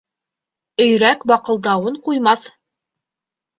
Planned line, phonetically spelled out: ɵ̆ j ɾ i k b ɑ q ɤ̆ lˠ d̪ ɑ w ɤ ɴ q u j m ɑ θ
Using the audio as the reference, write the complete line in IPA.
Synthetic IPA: ɵ̆ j ɾ æ k b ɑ q ɤ̆ lˠ d̪ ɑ w ɤ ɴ q u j m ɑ θ